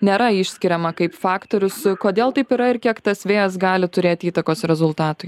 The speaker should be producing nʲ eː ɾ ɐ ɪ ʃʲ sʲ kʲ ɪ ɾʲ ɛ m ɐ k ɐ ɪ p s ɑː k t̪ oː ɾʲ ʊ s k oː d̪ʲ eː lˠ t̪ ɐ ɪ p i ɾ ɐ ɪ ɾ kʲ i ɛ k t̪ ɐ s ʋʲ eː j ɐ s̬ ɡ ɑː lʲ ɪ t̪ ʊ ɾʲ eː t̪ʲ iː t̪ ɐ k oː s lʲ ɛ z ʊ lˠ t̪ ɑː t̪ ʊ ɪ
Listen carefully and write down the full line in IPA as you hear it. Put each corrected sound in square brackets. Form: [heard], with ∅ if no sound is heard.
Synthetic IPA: nʲ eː ɾ ɐ ɪ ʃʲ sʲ kʲ ɪ ɾʲ ɛ m ɐ k ɐ ɪ p [f] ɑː k t̪ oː ɾʲ ʊ s k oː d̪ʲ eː lˠ t̪ ɐ ɪ p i ɾ ɐ ɪ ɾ kʲ i ɛ k t̪ ɐ s ʋʲ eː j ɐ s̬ ɡ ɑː lʲ ɪ t̪ ʊ ɾʲ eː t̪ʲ iː t̪ ɐ k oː s [ɾʲ] ɛ z ʊ lˠ t̪ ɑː t̪ ʊ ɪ

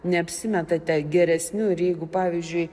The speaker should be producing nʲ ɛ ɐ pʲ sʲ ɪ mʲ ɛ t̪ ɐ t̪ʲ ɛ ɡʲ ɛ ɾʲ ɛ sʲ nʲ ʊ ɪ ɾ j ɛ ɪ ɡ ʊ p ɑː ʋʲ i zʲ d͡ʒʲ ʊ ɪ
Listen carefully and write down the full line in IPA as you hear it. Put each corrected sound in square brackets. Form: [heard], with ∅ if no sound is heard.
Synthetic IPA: nʲ ɛ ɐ pʲ sʲ ɪ mʲ ɛ t̪ ɐ t̪ʲ ɛ ɡʲ ɛ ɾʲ ɛ sʲ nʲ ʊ ɪ ɾ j ɛ ɪ ɡ ʊ p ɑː ʋʲ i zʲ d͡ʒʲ ʊ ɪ

